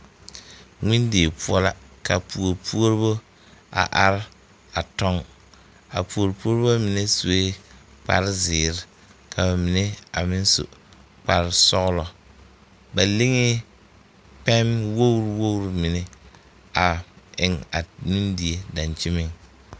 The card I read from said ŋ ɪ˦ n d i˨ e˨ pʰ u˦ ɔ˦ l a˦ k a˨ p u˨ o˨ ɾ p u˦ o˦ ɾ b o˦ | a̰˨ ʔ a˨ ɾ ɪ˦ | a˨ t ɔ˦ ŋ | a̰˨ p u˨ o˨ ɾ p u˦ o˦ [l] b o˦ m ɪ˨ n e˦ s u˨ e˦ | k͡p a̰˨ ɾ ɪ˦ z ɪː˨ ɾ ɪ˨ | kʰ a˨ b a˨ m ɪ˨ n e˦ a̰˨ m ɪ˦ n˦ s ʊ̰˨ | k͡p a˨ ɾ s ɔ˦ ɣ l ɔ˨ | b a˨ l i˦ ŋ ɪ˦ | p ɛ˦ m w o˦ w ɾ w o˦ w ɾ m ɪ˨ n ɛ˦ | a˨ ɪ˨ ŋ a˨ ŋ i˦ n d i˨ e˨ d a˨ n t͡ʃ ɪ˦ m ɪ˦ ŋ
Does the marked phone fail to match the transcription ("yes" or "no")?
yes